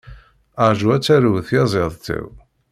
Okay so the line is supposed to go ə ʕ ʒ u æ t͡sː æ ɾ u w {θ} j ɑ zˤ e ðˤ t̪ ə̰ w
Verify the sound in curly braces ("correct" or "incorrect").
correct